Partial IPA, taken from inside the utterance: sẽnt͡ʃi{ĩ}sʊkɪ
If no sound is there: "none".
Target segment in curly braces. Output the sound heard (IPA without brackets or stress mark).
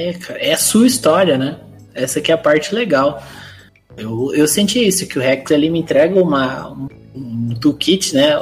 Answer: i